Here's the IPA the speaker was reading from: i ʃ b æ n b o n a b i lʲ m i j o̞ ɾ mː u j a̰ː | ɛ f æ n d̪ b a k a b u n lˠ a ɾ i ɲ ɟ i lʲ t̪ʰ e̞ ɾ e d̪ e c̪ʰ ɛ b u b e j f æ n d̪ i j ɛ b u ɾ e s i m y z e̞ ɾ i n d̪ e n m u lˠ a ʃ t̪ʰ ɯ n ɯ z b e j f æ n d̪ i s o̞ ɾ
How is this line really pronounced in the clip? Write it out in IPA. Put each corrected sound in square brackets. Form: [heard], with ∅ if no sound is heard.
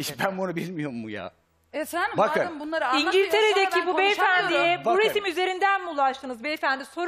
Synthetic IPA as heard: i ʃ b æ n b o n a b i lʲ m i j o̞ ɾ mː u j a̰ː | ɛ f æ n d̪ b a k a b u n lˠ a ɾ i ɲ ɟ i lʲ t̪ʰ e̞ ɾ e d̪ e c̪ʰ [i] b u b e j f æ n d̪ i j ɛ b u ɾ e s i m y z e̞ ɾ i n d̪ [æ] n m u lˠ a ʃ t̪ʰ ɯ n ɯ z b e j f æ n d̪ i s o̞ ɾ